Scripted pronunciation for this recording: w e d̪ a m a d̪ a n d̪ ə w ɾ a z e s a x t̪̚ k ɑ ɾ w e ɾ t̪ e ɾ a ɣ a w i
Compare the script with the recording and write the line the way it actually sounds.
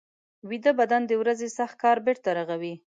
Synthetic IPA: w i d̪ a b a d̪ a n d̪ ə w ɾ a z e s a x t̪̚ k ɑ ɾ b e ɾ t̪ a ɾ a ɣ a w i